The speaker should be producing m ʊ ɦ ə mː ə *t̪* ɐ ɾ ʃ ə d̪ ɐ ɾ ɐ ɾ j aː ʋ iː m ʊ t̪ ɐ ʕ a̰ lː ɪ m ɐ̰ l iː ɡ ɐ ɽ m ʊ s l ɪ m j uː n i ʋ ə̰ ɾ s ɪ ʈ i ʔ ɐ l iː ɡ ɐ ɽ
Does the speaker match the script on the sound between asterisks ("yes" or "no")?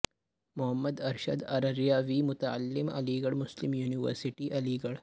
no